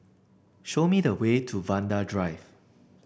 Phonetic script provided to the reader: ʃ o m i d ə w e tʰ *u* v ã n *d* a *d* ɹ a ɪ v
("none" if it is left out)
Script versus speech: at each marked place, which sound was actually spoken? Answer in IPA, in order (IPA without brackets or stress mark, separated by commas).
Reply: u, d, d